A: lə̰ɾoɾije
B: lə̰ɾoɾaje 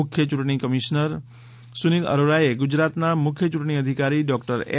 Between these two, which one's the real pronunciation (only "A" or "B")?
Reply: B